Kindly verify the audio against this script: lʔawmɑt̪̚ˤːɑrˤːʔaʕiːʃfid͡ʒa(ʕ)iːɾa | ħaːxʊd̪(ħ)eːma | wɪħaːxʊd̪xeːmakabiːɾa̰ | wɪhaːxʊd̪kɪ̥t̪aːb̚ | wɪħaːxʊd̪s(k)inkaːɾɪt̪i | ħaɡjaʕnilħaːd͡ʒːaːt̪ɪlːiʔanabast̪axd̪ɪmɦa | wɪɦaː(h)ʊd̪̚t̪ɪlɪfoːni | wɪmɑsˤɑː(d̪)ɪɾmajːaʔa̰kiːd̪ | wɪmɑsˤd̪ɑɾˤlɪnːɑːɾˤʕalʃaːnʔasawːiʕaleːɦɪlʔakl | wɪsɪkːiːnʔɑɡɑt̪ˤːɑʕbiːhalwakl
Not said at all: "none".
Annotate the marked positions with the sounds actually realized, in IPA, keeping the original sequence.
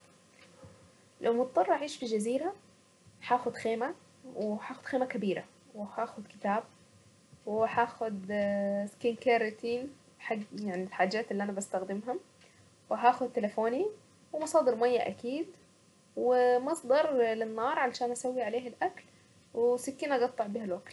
z, x, k, x, d̪

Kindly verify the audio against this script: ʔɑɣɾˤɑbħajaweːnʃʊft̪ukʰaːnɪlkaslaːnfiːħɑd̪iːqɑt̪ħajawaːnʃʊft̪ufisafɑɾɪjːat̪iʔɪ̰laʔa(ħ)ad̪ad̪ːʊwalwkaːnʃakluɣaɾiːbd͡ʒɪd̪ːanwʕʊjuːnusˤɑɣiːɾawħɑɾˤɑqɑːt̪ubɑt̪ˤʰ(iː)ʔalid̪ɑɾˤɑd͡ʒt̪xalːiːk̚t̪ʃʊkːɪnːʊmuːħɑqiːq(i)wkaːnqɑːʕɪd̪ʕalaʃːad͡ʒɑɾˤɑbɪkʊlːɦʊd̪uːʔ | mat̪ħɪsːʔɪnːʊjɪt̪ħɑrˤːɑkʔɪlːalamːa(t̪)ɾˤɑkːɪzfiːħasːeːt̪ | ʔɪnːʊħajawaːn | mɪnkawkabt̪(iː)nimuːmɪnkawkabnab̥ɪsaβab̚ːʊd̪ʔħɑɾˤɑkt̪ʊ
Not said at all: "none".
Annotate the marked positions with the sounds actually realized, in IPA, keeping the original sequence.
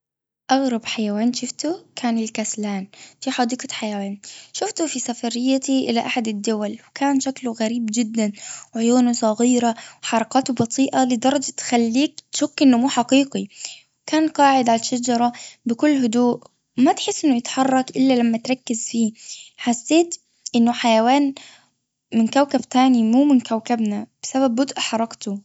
ħ, iː, i, t̪, aː

